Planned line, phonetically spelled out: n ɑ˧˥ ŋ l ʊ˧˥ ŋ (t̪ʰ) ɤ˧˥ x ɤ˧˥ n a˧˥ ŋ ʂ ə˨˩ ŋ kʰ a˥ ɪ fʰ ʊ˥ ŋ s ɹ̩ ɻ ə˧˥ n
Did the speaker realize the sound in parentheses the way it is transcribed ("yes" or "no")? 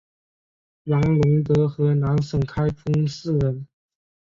no